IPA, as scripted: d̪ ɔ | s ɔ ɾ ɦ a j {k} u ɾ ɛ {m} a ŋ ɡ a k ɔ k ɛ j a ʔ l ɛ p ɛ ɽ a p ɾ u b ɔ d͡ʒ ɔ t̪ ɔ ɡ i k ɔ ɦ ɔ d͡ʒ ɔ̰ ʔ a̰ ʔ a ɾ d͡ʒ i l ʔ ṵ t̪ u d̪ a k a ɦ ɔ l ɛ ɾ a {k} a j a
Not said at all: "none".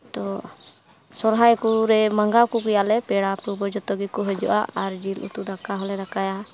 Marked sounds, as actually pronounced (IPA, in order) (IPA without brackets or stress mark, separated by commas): k, m, k